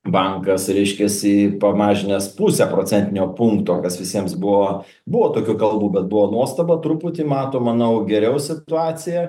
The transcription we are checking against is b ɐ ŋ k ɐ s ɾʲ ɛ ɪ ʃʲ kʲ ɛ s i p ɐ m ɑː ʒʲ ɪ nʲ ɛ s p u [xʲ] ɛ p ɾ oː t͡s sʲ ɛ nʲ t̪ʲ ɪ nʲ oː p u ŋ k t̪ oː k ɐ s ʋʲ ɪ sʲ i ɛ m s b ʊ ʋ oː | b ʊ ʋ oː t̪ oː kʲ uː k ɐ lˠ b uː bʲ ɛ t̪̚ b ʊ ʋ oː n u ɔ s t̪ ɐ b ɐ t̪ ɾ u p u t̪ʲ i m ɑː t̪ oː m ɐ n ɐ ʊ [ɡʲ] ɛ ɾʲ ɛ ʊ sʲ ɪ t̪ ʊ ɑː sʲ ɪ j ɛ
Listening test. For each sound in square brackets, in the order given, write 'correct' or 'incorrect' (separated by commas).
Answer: incorrect, correct